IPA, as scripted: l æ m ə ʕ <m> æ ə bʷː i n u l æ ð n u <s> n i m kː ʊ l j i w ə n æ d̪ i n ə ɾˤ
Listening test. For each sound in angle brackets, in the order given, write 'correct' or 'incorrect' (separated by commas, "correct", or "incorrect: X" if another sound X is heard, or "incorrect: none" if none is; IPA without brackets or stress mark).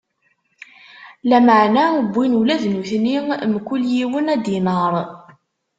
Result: incorrect: n, incorrect: θ